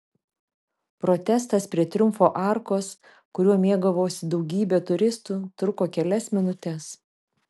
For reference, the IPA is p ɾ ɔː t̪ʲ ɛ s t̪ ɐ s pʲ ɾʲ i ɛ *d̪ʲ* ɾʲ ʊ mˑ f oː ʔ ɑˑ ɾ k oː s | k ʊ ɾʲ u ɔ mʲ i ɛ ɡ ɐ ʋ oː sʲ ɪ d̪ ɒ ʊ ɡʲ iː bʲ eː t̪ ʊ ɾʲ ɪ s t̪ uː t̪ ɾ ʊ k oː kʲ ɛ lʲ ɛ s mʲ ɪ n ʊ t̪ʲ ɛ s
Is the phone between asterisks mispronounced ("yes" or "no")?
yes